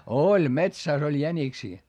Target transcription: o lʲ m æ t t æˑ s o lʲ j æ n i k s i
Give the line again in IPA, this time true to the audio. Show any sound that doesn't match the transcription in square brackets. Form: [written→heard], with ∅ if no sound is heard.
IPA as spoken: o lʲ m [æ→e] t [t→s] æˑ s o lʲ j æ n i k s [i→iː]